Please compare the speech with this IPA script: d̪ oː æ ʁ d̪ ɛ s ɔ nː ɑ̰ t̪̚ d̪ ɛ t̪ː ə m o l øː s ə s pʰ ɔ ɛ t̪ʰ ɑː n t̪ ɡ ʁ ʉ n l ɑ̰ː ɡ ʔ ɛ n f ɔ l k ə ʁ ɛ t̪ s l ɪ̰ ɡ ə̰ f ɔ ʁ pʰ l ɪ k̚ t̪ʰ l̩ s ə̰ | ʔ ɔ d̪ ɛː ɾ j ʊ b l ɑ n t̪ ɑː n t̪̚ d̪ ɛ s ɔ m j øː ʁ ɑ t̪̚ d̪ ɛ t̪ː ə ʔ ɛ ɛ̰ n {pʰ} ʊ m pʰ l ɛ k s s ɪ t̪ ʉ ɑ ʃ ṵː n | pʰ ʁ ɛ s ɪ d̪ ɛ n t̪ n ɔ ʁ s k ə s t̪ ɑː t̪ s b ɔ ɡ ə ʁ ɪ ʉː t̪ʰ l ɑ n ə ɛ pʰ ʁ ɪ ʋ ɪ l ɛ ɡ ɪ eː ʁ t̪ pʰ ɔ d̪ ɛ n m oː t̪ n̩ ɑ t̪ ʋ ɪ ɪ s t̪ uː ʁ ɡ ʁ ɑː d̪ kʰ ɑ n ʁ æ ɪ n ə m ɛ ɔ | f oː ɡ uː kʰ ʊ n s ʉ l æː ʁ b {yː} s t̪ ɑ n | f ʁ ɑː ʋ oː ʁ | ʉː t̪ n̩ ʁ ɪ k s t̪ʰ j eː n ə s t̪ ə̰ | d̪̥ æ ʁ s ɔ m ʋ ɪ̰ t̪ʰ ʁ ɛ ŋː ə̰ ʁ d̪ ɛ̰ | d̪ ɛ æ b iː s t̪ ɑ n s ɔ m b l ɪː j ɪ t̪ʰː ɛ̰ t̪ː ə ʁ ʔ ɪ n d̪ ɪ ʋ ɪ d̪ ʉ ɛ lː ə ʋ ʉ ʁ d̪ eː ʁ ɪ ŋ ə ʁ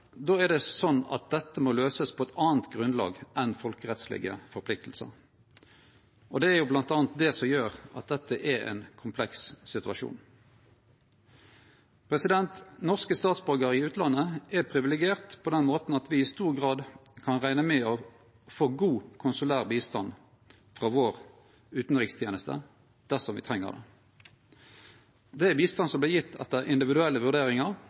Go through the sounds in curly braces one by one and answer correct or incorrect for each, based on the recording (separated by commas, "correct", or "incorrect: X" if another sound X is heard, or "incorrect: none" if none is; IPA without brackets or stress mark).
incorrect: kʰ, incorrect: iː